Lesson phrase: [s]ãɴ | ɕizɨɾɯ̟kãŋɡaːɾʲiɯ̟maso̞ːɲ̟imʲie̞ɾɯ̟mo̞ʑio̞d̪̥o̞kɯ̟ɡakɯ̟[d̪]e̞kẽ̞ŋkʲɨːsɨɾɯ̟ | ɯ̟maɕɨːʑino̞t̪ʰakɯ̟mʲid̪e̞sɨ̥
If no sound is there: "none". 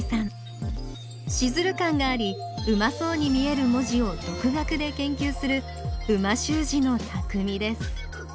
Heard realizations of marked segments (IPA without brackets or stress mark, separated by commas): s, d̪